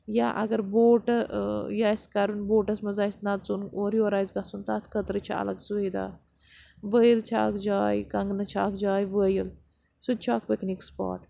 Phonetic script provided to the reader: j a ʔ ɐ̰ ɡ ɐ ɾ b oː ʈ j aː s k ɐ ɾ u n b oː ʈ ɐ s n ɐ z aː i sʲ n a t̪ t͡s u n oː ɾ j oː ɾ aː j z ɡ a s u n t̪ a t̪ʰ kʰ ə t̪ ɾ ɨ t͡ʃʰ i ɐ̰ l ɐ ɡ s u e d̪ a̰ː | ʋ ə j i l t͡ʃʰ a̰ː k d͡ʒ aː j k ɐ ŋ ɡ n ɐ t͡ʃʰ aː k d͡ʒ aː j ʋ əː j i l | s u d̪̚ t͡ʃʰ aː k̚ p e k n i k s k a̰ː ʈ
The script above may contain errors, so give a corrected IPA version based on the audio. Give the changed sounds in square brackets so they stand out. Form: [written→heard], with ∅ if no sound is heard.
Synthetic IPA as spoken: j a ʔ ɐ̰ ɡ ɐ ɾ b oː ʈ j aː s k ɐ ɾ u n b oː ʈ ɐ s [n→m] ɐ z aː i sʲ n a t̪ t͡s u n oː ɾ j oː ɾ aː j z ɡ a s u n t̪ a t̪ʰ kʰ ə t̪ ɾ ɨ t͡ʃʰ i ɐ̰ l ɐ ɡ s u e d̪ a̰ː | ʋ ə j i l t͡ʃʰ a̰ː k d͡ʒ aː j k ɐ ŋ ɡ n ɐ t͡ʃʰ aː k d͡ʒ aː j ʋ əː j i l | s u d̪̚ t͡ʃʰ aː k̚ p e k n i k s [k→p] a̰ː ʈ